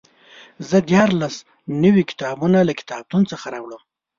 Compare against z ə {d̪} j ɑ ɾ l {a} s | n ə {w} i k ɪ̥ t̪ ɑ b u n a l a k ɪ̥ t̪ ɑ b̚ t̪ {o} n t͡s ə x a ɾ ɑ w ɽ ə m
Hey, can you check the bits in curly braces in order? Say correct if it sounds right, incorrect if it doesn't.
correct, correct, correct, incorrect

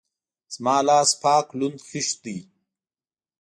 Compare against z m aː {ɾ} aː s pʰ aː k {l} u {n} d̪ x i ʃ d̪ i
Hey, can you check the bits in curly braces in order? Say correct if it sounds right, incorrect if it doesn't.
incorrect, correct, correct

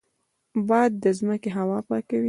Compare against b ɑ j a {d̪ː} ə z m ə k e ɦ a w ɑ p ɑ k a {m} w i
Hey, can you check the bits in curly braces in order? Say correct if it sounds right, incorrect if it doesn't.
correct, incorrect

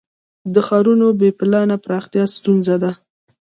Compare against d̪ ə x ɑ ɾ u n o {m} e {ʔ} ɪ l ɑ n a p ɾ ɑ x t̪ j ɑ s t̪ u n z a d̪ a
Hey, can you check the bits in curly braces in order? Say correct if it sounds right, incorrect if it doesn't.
incorrect, incorrect

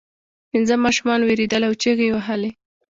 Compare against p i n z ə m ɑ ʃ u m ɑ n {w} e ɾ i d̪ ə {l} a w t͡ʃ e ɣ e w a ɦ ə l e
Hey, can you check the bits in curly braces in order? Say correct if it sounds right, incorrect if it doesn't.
correct, correct

